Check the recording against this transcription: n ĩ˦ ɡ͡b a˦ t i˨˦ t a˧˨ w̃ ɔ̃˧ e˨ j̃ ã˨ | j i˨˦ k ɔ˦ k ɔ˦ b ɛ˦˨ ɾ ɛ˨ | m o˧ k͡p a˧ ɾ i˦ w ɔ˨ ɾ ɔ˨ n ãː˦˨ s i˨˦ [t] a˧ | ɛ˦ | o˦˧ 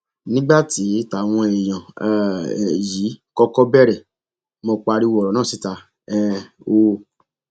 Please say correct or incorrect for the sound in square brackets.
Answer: correct